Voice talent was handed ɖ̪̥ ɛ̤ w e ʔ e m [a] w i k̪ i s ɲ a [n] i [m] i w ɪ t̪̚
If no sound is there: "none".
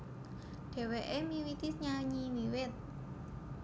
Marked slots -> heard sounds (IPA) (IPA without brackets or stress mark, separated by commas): i, ɲ, m